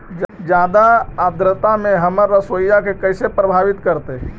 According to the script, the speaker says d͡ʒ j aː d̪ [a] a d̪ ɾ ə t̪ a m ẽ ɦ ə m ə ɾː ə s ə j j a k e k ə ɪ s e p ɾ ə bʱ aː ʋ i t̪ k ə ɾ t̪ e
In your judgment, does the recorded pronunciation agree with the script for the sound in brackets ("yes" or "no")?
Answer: yes